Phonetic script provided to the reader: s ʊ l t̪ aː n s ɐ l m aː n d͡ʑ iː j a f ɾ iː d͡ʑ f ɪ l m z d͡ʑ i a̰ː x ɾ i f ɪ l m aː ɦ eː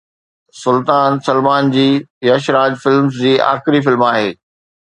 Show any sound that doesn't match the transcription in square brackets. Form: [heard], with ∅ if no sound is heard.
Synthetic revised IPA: s ʊ l t̪ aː n s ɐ l m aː n d͡ʑ iː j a [ʃ] ɾ [aː] d͡ʑ f ɪ l m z d͡ʑ [iː] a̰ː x ɾ i f ɪ l m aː ɦ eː